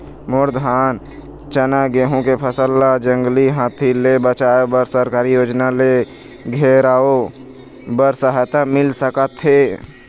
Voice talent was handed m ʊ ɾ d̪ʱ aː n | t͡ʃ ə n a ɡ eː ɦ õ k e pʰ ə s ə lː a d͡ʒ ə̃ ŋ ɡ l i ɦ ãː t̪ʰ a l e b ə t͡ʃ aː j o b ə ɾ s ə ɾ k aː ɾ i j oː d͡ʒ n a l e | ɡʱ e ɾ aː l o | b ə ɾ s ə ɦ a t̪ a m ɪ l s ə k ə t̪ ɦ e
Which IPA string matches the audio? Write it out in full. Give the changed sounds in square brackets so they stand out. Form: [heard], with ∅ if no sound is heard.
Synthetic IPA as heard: m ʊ ɾ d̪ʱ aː n | t͡ʃ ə n a ɡ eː ɦ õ k e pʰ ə s ə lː a d͡ʒ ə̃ ŋ ɡ l i ɦ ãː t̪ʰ [i] l e b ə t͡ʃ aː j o b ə ɾ s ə ɾ k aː ɾ i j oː d͡ʒ n a l e | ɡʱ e ɾ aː [∅] o | b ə ɾ s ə ɦ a t̪ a m ɪ l s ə k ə t̪ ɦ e